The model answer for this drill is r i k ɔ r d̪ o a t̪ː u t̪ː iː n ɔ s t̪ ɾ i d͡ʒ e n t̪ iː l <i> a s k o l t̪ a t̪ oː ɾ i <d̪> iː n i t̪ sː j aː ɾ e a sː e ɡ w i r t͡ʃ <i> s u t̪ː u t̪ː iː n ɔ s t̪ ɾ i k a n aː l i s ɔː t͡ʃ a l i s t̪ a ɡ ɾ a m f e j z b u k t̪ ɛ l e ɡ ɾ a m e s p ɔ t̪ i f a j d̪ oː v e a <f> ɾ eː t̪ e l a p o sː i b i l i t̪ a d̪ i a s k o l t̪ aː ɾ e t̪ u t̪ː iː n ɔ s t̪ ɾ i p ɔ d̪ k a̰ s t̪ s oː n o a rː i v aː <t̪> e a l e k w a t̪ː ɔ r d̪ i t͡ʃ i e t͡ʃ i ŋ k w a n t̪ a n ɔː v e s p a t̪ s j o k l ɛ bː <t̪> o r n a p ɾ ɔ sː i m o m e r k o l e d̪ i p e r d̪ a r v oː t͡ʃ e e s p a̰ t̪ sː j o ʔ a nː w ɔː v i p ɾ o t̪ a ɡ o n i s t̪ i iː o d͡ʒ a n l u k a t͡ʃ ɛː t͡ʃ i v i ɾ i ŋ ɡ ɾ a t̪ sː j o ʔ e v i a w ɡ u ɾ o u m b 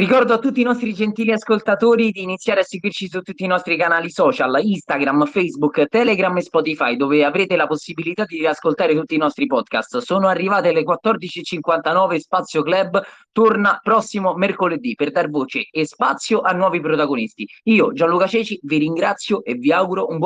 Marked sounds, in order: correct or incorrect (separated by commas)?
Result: correct, correct, correct, incorrect, correct, correct